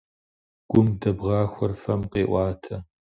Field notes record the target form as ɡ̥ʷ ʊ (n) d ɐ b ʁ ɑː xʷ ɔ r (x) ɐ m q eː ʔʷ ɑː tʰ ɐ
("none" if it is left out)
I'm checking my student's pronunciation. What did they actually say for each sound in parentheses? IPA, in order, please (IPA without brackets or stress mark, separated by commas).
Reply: m, f